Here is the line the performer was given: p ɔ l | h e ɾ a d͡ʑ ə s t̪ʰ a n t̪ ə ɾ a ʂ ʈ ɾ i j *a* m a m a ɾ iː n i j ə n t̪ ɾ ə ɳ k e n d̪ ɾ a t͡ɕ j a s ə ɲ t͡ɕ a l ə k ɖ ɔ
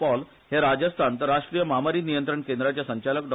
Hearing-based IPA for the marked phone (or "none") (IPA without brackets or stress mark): ə